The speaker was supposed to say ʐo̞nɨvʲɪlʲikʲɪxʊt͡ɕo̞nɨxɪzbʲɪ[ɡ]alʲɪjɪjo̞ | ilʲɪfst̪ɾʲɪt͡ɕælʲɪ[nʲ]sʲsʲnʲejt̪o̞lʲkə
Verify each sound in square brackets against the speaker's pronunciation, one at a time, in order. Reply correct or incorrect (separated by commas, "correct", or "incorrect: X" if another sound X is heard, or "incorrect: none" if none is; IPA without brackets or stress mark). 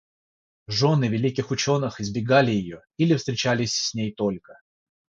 correct, incorrect: none